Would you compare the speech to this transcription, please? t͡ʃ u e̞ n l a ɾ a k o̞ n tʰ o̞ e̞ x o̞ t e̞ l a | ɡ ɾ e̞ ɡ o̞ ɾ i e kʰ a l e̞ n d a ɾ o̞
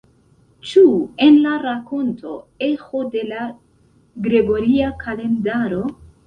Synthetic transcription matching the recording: t͡ʃ u e̞ n l a ɾ a k o̞ n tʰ o̞ e̞ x o̞ d e̞ l a | ɡ ɾ e̞ ɡ o̞ ɾ i a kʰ a l e̞ n d a ɾ o̞